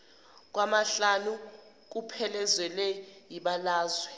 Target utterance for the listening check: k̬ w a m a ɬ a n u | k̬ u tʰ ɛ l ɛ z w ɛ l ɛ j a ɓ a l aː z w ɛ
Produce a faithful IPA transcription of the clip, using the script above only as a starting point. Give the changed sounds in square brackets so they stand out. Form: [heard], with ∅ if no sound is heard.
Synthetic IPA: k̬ w a m a ɬ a n u | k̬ u [pʰ] ɛ l ɛ z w ɛ l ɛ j [i] ɓ a l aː z w ɛ